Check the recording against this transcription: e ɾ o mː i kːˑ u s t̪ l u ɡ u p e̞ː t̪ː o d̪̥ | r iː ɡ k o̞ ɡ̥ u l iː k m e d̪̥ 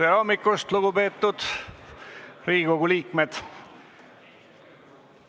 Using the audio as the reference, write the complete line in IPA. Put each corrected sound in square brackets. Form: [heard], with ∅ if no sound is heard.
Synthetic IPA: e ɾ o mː i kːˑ u s t̪ l u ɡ u p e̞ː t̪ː [u] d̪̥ | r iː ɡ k o̞ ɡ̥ u l iː k m e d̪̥